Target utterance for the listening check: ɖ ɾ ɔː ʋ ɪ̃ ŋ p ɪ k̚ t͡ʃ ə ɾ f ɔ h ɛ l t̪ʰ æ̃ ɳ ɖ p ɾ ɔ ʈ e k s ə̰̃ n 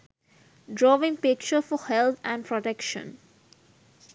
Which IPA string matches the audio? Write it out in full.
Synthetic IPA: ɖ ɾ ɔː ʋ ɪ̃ ŋ p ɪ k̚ t͡ʃ ə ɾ f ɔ h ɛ l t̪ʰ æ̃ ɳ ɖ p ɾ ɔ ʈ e k ʃ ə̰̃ n